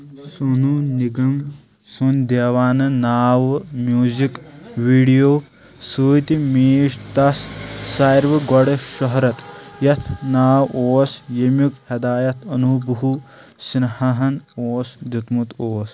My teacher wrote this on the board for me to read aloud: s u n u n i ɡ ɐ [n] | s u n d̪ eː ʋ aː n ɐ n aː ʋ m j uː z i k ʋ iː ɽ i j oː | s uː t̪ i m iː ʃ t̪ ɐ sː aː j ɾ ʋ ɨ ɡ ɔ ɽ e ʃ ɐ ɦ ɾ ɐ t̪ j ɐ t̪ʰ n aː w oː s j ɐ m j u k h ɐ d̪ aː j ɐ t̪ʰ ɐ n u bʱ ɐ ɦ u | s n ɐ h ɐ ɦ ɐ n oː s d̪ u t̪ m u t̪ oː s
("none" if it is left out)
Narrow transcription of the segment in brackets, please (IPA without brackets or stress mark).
m